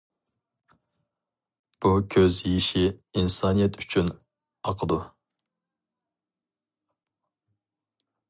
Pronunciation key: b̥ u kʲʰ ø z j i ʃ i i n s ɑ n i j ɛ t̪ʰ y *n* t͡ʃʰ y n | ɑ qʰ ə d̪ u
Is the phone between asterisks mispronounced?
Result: yes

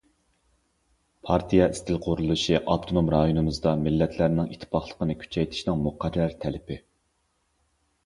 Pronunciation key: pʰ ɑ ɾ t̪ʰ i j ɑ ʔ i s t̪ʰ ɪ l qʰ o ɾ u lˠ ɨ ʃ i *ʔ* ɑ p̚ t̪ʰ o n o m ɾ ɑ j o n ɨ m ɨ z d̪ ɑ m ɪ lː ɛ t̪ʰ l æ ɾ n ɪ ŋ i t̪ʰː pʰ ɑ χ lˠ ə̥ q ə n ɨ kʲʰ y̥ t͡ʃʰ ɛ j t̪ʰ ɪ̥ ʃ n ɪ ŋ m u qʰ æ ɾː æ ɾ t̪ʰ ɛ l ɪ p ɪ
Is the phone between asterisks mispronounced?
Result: no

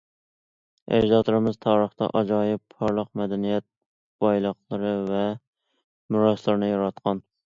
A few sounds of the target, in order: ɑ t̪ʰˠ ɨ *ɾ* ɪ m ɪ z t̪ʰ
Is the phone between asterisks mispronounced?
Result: no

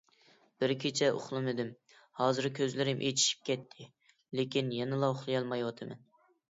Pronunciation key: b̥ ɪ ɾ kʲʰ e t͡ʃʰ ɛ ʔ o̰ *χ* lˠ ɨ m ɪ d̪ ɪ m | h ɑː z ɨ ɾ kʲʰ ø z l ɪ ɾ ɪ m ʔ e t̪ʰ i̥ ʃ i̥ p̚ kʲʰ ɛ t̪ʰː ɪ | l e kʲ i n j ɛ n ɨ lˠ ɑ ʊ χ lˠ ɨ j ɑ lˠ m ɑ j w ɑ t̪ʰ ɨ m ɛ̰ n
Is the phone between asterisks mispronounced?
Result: no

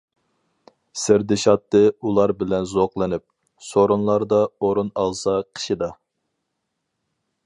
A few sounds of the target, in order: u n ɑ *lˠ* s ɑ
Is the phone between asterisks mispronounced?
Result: no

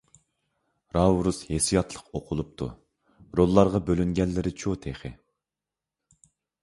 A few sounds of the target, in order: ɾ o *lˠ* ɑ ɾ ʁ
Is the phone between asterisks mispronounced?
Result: yes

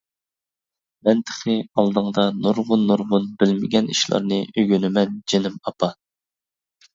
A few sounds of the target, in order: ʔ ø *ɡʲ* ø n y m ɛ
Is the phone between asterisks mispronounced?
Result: no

